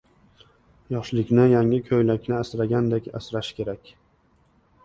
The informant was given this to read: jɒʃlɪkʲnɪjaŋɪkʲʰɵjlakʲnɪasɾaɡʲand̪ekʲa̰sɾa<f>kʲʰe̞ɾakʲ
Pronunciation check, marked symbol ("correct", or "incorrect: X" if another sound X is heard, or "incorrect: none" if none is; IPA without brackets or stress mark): incorrect: ʃ